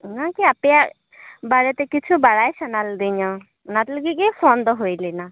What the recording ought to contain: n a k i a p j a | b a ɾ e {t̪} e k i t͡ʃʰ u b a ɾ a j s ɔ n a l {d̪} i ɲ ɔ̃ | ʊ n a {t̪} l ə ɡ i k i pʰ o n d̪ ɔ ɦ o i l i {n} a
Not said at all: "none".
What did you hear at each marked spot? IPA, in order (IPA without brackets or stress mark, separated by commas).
t̪, d̪, t̪, n